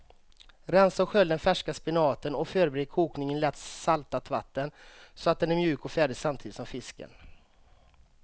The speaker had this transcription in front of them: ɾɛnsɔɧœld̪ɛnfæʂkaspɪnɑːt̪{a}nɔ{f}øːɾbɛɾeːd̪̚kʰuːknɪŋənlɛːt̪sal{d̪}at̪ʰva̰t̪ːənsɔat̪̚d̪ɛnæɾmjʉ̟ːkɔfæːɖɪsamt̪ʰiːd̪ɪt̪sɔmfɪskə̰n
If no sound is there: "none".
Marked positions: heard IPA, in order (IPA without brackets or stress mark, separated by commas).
ə, f, t̪